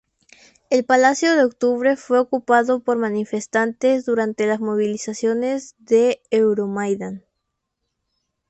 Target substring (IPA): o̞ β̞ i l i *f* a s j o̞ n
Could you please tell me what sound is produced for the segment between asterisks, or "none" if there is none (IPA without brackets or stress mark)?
s